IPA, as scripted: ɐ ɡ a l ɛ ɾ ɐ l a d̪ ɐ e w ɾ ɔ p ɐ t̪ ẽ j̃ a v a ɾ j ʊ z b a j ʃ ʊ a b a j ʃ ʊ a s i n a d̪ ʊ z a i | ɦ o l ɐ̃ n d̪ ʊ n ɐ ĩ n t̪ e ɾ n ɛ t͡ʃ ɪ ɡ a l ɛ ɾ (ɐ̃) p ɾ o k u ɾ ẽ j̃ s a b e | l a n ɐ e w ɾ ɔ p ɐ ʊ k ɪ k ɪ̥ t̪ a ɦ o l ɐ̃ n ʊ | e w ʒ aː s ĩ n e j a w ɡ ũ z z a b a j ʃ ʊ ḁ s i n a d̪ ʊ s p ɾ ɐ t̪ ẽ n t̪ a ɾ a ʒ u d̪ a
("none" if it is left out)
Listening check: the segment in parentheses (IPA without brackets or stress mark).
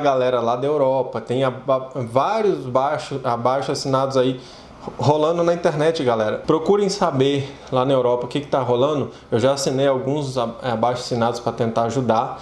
ɐ